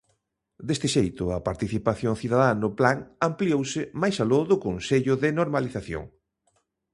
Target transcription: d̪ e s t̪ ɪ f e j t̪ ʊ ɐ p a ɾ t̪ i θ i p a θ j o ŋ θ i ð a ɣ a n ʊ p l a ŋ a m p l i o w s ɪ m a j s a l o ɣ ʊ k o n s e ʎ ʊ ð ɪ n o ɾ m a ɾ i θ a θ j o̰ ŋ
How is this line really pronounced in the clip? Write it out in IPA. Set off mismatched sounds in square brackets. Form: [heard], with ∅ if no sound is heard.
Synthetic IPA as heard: d̪ e s t̪ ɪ [ʃ] e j t̪ ʊ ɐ p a ɾ t̪ i θ i p a θ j o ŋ θ i ð a [ð] a n ʊ p l a ŋ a m p l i o w s ɪ m a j s a l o [ð] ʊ k o n s e ʎ ʊ ð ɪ n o ɾ m a [l] i θ a θ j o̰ ŋ